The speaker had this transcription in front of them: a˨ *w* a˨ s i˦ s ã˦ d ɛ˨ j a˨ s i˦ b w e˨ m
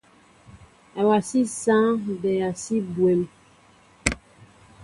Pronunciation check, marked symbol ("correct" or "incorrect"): correct